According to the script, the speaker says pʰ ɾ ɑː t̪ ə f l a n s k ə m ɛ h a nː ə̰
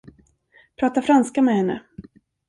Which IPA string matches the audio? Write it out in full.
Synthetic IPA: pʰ ɾ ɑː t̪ a f ɾ a n s k a m ɛ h ɛ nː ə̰